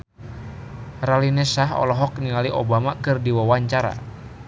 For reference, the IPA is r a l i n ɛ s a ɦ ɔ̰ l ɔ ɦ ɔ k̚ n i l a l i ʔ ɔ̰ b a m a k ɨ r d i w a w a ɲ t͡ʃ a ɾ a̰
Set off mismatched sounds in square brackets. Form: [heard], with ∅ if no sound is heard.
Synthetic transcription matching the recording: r a l i n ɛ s a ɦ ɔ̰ l ɔ ɦ ɔ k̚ n i l a l i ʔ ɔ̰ b a m a k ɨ r d i w a w a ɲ t͡ʃ a ɾ a̰

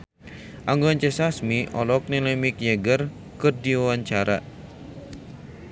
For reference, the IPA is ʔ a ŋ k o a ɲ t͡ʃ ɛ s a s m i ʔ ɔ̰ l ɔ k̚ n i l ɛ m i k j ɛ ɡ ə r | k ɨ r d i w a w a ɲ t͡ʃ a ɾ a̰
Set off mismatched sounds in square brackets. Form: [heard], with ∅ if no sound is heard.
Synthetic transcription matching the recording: ʔ a ŋ [ɡ] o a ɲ t͡ʃ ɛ s a s m i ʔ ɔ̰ l ɔ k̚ n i l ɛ m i k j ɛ ɡ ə r | k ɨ r d i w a w a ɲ t͡ʃ a ɾ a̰

